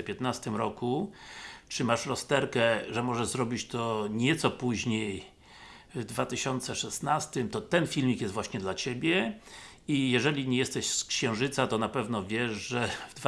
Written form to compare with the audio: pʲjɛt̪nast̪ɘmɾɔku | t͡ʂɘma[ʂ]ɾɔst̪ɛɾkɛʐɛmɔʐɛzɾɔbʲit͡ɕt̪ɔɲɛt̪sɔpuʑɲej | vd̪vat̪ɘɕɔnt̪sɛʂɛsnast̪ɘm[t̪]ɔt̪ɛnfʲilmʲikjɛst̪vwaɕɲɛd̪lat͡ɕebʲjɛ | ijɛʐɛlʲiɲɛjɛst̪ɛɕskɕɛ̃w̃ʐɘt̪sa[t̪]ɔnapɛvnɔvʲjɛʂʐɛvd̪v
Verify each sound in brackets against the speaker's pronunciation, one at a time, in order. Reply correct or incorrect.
correct, correct, correct

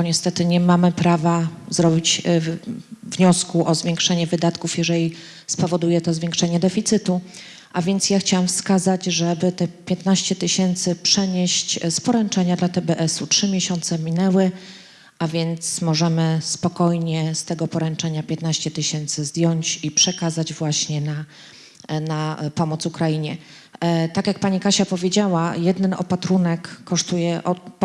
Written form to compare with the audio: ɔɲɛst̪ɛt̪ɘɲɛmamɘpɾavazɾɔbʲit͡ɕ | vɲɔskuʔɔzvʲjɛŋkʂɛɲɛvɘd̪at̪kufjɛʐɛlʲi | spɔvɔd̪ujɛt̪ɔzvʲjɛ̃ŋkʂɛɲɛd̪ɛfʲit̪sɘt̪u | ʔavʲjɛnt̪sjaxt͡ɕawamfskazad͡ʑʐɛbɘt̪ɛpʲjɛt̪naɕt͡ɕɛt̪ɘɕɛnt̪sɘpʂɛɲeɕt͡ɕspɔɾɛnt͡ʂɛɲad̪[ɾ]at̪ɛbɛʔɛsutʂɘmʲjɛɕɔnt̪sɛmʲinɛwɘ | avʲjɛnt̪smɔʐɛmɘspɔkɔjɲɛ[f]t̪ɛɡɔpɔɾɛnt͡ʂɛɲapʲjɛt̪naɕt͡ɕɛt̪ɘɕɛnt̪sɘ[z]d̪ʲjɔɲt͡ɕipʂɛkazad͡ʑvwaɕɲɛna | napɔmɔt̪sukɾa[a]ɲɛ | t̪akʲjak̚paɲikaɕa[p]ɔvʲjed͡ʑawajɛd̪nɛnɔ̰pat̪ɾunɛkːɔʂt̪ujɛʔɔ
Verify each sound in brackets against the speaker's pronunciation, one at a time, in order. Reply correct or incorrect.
incorrect, incorrect, correct, incorrect, correct

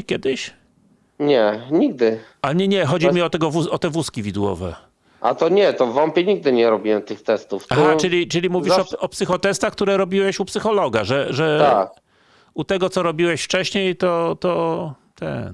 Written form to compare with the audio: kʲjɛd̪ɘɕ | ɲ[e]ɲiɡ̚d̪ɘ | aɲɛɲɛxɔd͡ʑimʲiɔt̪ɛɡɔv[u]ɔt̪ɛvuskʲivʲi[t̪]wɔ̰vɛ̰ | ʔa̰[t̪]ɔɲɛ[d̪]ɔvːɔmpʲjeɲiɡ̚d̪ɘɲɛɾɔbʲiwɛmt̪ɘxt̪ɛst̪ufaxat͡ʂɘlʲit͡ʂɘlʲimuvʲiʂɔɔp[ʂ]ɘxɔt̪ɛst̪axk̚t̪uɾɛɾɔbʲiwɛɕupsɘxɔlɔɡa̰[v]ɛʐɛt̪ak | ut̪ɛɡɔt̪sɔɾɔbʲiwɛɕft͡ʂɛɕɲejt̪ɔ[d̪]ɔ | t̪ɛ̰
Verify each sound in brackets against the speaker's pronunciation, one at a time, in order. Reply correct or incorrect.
incorrect, correct, incorrect, correct, incorrect, incorrect, incorrect, incorrect

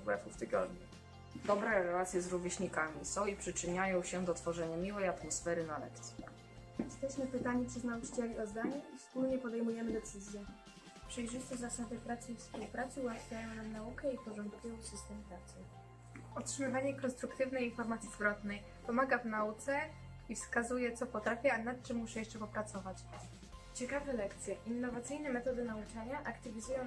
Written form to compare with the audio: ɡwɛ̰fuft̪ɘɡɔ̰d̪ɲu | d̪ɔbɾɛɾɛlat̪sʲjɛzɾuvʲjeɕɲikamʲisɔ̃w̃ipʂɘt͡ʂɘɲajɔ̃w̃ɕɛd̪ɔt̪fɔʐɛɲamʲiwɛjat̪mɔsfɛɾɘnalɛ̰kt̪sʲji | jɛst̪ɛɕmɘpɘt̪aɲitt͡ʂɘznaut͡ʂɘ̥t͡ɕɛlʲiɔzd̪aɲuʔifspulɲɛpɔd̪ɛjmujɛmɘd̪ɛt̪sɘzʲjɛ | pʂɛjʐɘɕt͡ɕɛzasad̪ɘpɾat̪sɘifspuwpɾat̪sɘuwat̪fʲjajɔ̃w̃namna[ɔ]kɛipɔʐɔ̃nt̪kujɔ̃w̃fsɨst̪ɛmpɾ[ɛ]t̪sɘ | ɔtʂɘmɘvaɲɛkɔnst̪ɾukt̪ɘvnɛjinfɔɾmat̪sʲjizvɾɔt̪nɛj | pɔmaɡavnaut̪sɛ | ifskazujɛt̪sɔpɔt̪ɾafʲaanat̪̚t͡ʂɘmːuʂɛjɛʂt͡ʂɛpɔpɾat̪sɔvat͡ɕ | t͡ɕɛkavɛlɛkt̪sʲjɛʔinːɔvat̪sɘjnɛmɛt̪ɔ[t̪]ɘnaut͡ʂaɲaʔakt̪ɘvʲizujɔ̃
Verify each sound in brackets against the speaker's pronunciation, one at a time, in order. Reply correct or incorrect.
incorrect, incorrect, incorrect

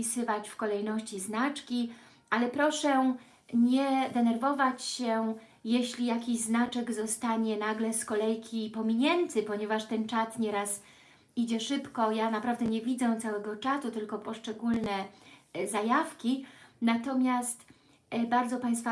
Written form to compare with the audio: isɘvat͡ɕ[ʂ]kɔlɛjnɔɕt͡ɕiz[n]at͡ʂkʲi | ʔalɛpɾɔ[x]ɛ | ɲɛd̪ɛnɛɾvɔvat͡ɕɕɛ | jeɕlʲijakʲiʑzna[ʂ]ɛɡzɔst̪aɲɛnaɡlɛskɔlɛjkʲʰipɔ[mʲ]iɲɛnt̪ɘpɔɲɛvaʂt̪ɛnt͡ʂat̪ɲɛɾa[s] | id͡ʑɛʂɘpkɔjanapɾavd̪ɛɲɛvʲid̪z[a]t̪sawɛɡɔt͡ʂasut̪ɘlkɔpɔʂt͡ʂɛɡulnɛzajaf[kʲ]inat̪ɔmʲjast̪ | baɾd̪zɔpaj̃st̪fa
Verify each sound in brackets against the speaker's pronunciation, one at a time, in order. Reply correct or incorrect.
incorrect, correct, incorrect, incorrect, correct, correct, incorrect, correct

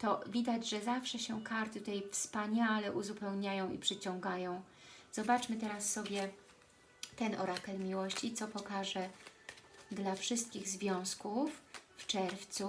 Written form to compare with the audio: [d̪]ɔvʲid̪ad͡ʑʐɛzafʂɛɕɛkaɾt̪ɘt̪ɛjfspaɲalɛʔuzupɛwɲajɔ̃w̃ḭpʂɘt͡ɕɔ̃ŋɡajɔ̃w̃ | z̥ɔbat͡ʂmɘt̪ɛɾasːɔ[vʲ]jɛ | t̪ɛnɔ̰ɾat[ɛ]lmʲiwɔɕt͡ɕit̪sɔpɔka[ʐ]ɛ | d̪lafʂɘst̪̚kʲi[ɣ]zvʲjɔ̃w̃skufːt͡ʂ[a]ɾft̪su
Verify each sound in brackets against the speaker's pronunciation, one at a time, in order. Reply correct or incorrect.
incorrect, incorrect, correct, correct, correct, incorrect

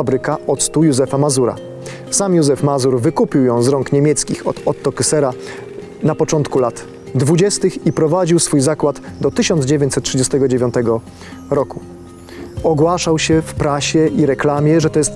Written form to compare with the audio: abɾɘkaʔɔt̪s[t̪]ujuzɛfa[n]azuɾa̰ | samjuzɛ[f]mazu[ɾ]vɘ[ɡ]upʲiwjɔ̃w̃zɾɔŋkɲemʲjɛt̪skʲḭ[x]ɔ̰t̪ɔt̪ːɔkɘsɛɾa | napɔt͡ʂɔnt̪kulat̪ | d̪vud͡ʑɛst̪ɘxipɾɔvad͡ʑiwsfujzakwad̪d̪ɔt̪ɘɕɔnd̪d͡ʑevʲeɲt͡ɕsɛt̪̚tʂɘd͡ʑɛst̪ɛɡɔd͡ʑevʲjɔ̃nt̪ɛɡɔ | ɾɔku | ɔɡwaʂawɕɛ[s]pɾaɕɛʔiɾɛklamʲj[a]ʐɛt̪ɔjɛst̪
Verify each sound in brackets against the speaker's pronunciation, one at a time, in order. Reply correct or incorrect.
correct, incorrect, correct, correct, incorrect, correct, incorrect, incorrect

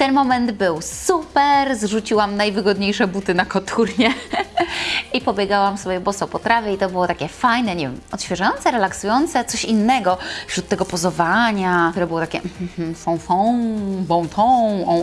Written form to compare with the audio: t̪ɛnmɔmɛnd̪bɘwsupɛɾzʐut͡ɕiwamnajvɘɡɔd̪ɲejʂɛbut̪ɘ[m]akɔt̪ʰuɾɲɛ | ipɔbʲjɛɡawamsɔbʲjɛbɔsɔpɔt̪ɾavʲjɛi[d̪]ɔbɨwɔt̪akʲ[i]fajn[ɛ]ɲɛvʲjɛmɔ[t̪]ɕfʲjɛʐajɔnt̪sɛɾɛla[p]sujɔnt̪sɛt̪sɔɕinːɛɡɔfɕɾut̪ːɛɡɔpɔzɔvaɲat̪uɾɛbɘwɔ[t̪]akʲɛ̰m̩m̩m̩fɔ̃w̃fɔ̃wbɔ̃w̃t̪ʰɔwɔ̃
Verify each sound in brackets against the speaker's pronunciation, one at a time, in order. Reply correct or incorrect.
incorrect, incorrect, incorrect, correct, correct, incorrect, correct

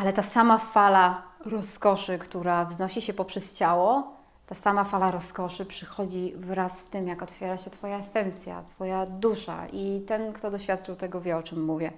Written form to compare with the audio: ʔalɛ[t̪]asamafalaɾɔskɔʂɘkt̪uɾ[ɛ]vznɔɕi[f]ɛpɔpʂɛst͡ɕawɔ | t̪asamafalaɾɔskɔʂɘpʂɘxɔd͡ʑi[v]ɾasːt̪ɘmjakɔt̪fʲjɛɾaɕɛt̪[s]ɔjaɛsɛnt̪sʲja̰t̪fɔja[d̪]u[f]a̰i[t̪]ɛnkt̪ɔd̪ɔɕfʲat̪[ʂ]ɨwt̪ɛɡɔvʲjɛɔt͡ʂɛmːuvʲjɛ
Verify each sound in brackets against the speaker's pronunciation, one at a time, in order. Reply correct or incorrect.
correct, incorrect, incorrect, correct, incorrect, correct, incorrect, correct, incorrect

